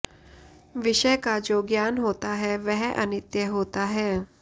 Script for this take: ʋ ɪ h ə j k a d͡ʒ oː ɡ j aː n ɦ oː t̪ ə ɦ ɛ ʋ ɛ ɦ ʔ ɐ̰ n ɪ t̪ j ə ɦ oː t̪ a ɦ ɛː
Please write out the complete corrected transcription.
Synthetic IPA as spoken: ʋ ɪ ʃ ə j k a d͡ʒ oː ɡ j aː n ɦ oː t̪ a ɦ ɛ ʋ ɛ ɦ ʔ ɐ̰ n ɪ t̪ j ə ɦ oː t̪ a ɦ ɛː